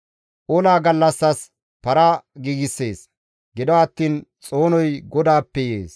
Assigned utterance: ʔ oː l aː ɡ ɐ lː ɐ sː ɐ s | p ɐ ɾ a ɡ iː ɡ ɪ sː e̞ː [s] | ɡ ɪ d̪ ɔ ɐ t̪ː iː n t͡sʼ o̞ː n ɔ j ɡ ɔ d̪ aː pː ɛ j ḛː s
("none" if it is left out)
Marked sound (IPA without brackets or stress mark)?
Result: s